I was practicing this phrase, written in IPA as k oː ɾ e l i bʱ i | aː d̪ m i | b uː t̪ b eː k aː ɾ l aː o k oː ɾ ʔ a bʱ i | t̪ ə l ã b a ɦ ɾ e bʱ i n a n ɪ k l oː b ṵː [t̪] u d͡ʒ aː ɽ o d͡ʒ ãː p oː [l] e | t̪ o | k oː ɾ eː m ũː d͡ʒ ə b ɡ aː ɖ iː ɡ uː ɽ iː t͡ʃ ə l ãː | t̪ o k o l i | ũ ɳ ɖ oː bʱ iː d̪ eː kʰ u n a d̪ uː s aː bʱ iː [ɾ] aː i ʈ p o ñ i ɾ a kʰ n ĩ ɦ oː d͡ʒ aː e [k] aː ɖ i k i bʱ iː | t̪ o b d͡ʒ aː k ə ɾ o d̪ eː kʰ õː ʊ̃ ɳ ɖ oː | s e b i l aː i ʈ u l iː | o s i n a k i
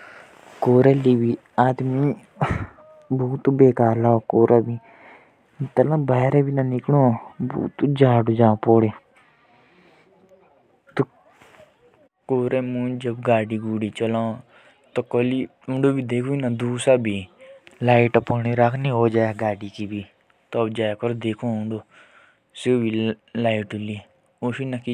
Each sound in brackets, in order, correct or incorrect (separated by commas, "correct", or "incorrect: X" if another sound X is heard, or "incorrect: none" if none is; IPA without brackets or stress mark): correct, incorrect: ɽ, incorrect: l, incorrect: ɡ